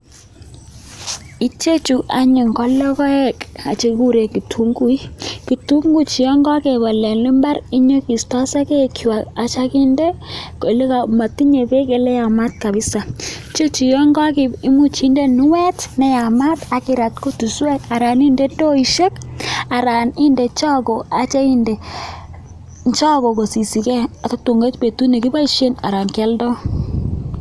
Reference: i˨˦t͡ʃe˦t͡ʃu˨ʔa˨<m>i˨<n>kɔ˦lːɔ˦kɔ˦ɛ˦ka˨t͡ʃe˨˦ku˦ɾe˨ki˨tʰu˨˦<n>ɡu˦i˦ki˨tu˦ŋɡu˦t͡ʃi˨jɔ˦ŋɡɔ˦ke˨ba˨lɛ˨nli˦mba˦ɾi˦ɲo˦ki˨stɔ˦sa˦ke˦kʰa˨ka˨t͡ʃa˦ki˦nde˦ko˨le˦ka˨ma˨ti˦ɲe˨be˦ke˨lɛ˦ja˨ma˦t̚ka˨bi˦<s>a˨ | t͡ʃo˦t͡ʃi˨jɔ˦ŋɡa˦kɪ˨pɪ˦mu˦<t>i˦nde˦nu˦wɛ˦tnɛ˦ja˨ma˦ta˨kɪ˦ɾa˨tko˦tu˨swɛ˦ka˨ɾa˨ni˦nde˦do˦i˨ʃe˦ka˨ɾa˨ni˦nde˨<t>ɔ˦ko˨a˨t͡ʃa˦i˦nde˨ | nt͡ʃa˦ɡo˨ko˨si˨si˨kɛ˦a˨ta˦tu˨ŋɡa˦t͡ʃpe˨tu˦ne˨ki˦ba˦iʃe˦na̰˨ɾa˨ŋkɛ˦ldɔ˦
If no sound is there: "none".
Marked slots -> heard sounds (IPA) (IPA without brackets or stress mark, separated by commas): ɲ, ŋ, ŋ, s, t͡ʃ, t͡ʃ